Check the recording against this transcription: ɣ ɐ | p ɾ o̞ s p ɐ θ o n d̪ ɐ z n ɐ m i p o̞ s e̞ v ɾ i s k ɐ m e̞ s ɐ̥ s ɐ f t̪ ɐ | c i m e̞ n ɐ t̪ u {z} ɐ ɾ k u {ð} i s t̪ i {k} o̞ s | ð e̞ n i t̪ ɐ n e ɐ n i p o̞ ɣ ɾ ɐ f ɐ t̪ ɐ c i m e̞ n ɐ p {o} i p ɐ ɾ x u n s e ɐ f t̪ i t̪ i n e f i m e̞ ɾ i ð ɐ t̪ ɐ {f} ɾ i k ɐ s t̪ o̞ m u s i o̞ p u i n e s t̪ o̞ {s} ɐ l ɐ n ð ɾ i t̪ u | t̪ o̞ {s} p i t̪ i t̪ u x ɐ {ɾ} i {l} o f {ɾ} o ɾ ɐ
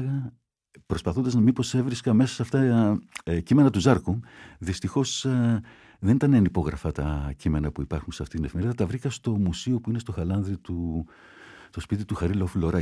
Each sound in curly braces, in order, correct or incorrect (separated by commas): correct, correct, incorrect, incorrect, incorrect, incorrect, correct, correct, correct, incorrect